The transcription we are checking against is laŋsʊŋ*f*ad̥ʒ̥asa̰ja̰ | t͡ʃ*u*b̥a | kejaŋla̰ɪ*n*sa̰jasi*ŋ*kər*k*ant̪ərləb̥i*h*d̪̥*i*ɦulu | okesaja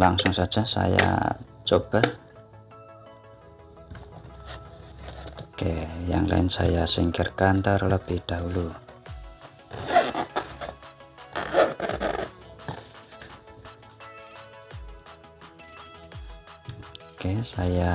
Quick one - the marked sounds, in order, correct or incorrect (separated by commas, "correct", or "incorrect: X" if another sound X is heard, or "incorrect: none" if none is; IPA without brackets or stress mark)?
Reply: incorrect: s, incorrect: o, correct, correct, correct, correct, incorrect: a